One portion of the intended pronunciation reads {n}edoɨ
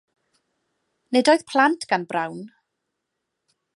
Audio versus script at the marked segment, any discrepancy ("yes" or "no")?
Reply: no